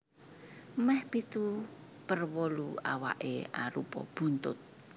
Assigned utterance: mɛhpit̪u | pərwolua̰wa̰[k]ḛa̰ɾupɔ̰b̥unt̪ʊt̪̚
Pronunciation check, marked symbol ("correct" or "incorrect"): incorrect